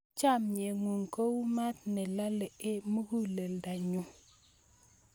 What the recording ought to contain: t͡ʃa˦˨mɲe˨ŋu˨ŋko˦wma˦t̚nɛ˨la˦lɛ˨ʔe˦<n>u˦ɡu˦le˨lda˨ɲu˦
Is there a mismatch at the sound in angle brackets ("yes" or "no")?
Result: yes